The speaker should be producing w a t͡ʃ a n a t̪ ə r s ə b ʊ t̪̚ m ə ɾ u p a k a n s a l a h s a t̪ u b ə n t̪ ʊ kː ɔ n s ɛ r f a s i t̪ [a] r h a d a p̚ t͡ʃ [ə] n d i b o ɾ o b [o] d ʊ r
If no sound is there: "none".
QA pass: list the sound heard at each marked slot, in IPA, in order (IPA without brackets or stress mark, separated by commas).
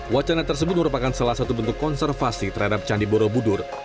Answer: ə, a, u